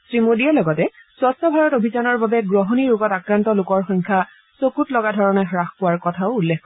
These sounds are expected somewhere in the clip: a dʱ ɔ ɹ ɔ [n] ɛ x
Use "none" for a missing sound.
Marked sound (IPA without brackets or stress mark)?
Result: n